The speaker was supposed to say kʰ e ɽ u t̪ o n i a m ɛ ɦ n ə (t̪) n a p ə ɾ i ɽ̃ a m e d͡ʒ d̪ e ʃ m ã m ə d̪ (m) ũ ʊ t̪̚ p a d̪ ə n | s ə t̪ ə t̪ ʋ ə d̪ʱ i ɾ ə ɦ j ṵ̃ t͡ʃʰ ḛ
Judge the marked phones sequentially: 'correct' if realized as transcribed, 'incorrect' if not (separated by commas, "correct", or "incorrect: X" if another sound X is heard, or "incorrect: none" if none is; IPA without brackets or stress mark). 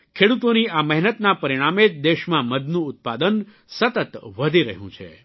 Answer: correct, incorrect: n